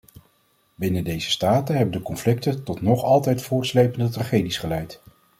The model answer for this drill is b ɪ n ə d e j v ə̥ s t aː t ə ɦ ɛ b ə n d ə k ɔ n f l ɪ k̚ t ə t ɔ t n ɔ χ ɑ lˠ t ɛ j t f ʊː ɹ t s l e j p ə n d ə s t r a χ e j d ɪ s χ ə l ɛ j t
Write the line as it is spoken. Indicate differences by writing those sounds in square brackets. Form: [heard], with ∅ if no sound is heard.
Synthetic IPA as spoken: b ɪ n ə d e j [z] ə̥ s t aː t ə ɦ ɛ b ə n d ə k ɔ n f l ɪ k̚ t ə t ɔ t n ɔ χ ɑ lˠ t ɛ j t f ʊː ɹ t s l e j p ə n d ə [∅] t r a χ e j d [i] s χ ə l ɛ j t